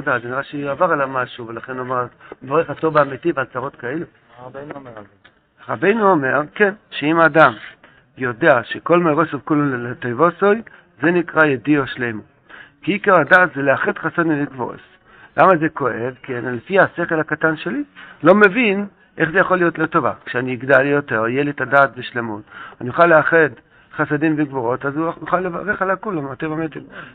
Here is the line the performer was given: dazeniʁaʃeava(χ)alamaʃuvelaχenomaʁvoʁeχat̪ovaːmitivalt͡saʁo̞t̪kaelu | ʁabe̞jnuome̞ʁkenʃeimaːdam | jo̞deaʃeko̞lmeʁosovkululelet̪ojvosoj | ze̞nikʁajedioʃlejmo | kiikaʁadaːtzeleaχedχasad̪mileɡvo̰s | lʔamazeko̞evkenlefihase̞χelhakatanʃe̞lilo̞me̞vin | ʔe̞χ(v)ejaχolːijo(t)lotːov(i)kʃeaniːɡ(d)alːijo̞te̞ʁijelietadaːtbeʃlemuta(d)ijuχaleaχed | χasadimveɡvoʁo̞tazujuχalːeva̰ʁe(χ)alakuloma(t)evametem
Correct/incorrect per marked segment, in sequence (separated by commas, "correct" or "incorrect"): incorrect, incorrect, correct, incorrect, correct, incorrect, correct, correct